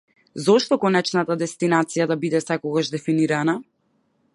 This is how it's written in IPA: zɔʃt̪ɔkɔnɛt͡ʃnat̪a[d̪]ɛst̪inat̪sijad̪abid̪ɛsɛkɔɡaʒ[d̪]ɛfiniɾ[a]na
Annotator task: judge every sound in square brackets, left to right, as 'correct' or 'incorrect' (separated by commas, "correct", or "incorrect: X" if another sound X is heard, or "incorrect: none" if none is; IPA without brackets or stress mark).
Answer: correct, correct, correct